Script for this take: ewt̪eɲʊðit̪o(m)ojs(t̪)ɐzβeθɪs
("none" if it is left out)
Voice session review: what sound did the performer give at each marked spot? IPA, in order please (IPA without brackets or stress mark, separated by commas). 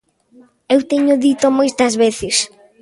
m, t̪